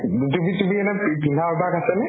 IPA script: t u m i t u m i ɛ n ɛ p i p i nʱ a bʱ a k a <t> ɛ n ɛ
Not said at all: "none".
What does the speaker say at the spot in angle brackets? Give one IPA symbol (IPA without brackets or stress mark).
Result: s